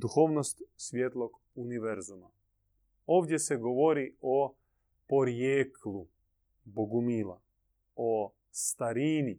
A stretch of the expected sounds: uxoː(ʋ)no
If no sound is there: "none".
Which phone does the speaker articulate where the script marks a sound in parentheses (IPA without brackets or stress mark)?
ʋ